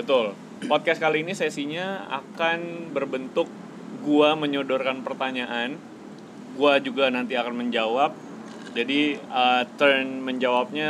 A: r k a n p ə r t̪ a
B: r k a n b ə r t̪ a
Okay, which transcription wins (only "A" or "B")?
A